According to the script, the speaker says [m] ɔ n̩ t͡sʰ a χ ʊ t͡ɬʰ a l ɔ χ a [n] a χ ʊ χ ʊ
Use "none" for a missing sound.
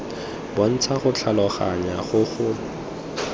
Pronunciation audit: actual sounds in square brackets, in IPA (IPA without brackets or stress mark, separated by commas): b, ɲ